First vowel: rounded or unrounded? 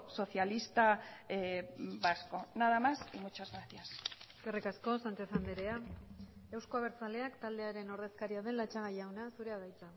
rounded